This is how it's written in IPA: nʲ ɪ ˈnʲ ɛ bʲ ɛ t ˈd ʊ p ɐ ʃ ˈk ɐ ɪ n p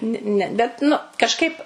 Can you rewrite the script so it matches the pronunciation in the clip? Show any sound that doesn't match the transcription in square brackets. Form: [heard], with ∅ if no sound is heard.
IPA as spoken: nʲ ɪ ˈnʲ ɛ bʲ ɛ t [ˈn] ʊ [k] ɐ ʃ ˈk ɐ ɪ [∅] p